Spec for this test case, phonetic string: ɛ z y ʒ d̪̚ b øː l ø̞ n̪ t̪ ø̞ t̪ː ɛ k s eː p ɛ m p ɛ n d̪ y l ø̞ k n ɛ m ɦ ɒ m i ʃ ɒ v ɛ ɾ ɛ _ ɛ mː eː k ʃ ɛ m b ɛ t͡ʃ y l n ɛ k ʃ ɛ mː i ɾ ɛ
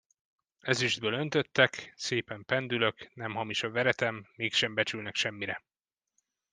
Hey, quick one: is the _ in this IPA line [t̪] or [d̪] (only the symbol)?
t̪